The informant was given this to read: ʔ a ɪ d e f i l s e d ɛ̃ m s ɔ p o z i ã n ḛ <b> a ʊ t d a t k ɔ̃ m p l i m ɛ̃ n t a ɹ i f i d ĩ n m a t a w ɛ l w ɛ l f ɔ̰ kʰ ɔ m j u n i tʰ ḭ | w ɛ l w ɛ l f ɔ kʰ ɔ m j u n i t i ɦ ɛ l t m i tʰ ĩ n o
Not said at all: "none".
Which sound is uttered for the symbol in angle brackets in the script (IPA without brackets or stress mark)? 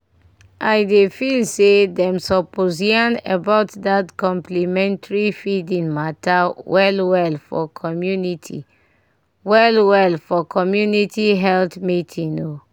b